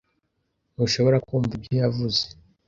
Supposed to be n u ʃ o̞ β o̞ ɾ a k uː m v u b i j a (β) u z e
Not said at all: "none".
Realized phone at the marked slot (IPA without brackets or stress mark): v